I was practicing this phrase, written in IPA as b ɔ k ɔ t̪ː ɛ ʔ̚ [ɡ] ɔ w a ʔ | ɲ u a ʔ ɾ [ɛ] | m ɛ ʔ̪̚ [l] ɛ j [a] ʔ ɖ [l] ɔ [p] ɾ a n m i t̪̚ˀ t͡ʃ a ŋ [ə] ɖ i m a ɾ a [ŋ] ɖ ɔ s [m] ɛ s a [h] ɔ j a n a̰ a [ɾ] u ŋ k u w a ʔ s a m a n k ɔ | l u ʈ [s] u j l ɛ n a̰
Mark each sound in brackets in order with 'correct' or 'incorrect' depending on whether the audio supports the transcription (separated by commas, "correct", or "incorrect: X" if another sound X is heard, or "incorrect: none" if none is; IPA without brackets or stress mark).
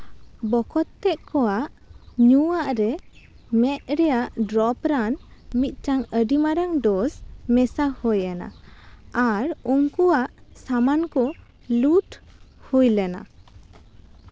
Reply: incorrect: k, correct, incorrect: ɾ, correct, incorrect: ɾ, correct, correct, correct, correct, correct, correct, incorrect: h